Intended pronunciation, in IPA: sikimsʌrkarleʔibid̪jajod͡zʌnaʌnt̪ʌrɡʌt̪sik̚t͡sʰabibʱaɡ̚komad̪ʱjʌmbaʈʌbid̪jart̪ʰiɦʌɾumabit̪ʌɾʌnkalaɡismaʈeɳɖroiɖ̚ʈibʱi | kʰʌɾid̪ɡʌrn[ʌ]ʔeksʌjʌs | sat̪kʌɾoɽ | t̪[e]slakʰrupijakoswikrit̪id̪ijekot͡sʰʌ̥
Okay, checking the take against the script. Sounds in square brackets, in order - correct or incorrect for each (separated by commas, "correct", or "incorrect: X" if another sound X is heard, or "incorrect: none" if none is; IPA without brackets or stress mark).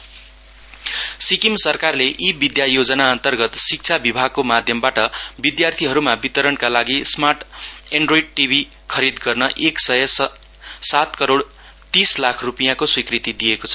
correct, incorrect: i